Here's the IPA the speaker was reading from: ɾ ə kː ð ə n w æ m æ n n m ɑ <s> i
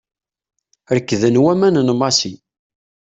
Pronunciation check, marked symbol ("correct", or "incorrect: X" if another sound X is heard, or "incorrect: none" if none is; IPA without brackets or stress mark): correct